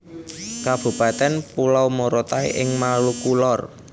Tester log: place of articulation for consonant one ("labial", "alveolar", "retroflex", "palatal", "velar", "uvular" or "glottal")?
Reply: velar